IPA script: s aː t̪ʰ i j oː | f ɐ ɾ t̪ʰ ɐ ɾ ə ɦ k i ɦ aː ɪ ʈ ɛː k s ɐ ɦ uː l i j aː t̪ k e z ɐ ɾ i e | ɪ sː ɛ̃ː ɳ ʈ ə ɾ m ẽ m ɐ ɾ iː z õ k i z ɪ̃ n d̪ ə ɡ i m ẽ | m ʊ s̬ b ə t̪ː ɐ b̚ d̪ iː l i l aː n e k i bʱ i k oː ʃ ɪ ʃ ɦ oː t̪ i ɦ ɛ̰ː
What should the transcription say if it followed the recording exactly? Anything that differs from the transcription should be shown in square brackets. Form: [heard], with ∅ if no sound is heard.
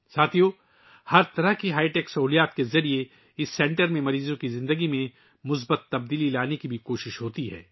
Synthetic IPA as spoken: s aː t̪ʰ i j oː | [h] ɐ ɾ [t̪] ɐ ɾ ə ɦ k i ɦ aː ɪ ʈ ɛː k s ɐ ɦ uː l i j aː t̪ k e z ɐ ɾ i e | ɪ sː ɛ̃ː ɳ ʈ ə ɾ m ẽ m ɐ ɾ iː z õ k i z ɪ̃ n d̪ ə ɡ i m ẽ | m ʊ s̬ b ə t̪ː ɐ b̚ d̪ iː l i l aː n e k i bʱ i k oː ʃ ɪ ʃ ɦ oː t̪ i ɦ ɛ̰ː

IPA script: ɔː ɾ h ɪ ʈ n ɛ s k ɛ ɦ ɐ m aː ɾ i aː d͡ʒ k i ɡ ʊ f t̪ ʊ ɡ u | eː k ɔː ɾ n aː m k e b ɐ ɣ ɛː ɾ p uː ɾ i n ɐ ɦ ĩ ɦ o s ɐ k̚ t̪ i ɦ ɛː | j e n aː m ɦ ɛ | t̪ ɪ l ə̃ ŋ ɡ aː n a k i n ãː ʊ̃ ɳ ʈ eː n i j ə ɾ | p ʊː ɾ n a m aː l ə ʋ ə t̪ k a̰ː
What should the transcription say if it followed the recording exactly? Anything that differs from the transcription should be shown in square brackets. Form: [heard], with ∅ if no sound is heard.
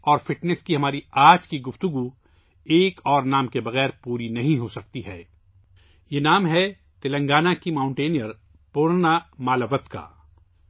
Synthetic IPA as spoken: ɔː ɾ [f] ɪ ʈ n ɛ s k [i] ɦ ɐ m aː ɾ i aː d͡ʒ k i ɡ ʊ f t̪ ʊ ɡ u | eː k ɔː ɾ n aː m k e b ɐ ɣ ɛː ɾ p uː ɾ i n ɐ ɦ ĩ ɦ o s ɐ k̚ t̪ i ɦ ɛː | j e n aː m ɦ ɛ | t̪ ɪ l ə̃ ŋ ɡ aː n a k i [m] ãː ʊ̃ ɳ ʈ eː n i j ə ɾ | p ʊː ɾ n a m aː l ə ʋ ə t̪ k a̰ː

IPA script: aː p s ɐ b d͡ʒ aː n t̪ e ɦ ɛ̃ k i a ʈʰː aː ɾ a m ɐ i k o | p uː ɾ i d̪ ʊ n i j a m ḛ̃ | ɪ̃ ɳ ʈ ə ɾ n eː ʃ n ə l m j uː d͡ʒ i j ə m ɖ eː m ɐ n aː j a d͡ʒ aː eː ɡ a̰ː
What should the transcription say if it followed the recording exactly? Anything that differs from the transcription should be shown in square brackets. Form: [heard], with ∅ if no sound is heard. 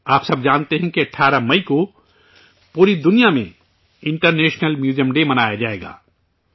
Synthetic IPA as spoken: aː p s ɐ b d͡ʒ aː n t̪ e ɦ ɛ̃ k i [ɐ] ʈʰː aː ɾ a m ɐ i k o | p uː ɾ i d̪ ʊ n i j a m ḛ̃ | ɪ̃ ɳ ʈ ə ɾ n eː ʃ n ə l m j uː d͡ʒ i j ə m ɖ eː m ɐ n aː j a d͡ʒ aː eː ɡ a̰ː

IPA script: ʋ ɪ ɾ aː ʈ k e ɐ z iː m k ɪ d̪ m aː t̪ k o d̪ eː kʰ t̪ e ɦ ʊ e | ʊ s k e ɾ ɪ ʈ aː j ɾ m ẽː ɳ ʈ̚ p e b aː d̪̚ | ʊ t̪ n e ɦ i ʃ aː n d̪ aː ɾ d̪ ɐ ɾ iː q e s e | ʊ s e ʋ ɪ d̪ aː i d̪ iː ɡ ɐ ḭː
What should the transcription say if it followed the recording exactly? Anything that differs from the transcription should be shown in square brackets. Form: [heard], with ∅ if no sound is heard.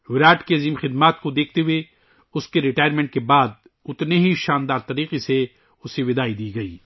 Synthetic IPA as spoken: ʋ ɪ ɾ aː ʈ k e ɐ z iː m [x] ɪ d̪ m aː t̪ k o d̪ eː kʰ t̪ e ɦ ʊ e | ʊ s k e ɾ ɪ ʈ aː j ɾ m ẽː ɳ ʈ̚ [k] e b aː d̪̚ | ʊ t̪ n e ɦ i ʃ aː n d̪ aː ɾ [t̪] ɐ ɾ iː q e s e | ʊ s e ʋ ɪ d̪ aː i d̪ iː ɡ ɐ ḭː

